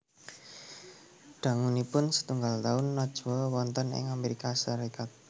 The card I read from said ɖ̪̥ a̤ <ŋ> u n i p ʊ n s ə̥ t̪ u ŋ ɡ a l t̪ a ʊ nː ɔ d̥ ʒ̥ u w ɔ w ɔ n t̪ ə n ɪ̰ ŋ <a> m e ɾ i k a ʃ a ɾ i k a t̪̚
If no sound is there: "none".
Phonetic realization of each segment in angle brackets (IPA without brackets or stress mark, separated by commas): ŋ, a